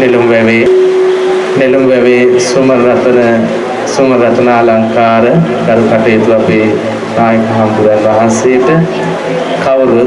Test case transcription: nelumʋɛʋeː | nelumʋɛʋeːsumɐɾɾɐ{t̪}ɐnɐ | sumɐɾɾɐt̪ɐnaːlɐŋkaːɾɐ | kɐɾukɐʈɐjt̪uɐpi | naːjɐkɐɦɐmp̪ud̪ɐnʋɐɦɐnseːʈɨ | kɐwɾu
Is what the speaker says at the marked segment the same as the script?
yes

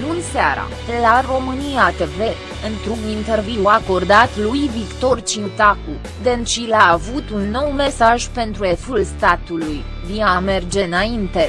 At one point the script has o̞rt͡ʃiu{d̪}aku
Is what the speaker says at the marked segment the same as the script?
no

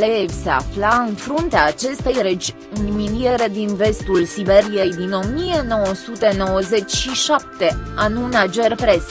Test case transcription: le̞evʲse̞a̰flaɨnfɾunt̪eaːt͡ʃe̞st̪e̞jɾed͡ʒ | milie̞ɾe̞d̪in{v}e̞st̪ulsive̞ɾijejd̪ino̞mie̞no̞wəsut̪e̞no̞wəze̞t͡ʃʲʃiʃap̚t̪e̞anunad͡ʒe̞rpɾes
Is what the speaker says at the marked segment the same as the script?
yes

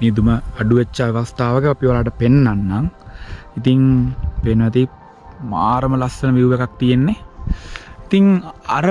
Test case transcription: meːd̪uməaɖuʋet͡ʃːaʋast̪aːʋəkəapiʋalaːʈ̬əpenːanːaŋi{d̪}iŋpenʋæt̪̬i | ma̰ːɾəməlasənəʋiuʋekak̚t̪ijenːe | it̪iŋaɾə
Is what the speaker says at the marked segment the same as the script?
no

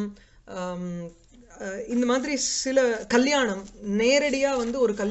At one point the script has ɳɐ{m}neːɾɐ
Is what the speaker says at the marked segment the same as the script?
yes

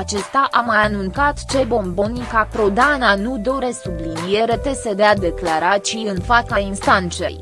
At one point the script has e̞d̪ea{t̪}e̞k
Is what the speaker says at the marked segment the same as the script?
no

